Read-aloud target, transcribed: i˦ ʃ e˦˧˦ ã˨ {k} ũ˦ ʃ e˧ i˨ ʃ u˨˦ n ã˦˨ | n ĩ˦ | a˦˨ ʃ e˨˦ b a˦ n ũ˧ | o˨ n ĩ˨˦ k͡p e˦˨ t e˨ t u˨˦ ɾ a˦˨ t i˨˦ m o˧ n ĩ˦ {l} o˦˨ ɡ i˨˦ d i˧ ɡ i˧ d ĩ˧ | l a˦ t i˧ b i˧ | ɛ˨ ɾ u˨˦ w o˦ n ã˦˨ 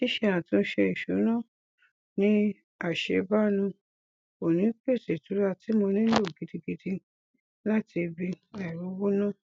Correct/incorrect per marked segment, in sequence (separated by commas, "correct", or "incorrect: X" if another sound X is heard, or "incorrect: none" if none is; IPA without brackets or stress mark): incorrect: t, correct